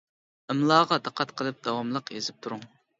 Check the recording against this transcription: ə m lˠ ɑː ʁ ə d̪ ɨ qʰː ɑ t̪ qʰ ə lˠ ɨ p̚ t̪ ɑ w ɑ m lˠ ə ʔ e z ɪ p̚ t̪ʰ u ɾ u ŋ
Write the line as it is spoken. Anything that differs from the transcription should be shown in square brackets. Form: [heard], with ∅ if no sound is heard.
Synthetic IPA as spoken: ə m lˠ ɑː ʁ [ɑ] d̪ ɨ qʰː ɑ t̪ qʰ ə lˠ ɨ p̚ [d̪] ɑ w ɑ m lˠ ə [q] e z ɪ p̚ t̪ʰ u ɾ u ŋ